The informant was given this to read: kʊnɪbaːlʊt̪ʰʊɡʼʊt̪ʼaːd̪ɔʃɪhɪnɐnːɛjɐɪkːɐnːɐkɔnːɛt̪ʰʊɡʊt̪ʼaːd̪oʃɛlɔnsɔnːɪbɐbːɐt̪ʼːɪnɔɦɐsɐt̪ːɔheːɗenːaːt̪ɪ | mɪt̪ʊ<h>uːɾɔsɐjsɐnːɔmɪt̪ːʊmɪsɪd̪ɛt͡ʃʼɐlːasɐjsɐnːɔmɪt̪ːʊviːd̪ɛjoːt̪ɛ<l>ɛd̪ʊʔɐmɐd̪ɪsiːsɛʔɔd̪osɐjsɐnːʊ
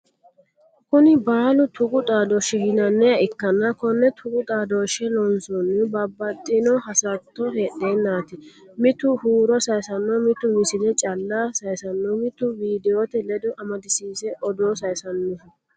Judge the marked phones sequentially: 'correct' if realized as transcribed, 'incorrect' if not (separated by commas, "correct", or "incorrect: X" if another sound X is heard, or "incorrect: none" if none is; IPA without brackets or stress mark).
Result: correct, correct